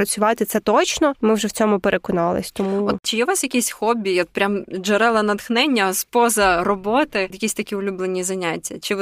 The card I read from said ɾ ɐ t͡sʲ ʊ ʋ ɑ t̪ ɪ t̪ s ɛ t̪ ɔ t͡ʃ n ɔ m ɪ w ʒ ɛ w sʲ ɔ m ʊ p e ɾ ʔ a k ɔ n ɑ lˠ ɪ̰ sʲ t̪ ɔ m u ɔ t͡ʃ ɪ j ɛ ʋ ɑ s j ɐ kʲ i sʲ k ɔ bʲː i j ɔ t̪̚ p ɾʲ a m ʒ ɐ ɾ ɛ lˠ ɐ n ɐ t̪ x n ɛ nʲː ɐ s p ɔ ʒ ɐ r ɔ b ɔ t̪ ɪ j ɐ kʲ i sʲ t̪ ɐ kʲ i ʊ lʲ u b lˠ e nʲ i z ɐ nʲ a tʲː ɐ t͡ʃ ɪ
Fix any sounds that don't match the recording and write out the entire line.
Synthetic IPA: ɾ ɐ t͡sʲ ʊ ʋ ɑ t̪ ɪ t̪ s ɛ t̪ ɔ t͡ʃ n ɔ m ɪ w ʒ ɛ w t͡sʲ ɔ m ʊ p e ɾ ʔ e k ɔ n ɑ lˠ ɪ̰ sʲ t̪ ɔ m u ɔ t͡ʃ ɪ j ɛ ʋ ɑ s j ɐ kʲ i sʲ x ɔ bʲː i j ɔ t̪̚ p ɾʲ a m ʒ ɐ ɾ ɛ lˠ ɐ n ɐ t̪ x n ɛ nʲː ɐ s p ɔ z ɐ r ɔ b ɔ t̪ ɪ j ɐ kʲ i sʲ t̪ ɐ kʲ i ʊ lʲ u b lˠ e nʲ i z ɐ nʲ a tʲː ɐ t͡ʃ ɪ